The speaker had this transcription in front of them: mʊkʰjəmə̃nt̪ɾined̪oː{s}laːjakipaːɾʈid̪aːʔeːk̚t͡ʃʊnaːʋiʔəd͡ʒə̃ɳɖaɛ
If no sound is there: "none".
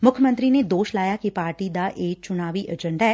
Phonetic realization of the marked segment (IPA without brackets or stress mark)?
ʃ